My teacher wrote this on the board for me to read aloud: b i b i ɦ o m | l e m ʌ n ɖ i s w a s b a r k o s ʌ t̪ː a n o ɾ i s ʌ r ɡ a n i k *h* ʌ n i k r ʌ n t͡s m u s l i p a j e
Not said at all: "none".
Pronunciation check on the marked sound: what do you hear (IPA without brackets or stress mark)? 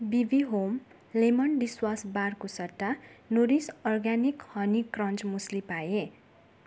h